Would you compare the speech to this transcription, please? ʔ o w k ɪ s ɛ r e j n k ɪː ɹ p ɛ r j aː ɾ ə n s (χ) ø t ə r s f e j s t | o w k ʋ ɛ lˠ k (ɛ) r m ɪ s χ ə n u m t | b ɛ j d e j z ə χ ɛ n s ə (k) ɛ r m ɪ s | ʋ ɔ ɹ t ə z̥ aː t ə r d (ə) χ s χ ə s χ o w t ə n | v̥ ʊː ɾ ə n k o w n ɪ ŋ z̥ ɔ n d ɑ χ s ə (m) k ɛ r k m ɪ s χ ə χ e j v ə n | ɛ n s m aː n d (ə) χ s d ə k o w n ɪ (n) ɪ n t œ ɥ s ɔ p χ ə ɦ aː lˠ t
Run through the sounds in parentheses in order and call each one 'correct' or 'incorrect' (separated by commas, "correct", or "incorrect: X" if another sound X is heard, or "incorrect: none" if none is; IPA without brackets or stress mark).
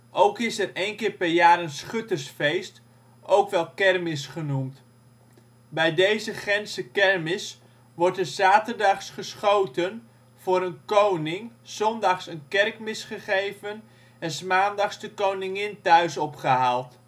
correct, correct, correct, incorrect: ɑ, incorrect: n, incorrect: ɑ, incorrect: ŋ